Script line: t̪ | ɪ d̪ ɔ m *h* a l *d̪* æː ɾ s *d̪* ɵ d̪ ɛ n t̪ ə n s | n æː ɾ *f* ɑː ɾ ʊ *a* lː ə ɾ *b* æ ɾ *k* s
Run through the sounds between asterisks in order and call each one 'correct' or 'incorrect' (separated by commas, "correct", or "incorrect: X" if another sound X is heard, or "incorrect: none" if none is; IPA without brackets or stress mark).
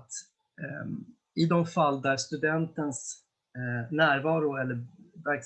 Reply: incorrect: f, correct, incorrect: t̪, incorrect: v, incorrect: ɛ, incorrect: v, correct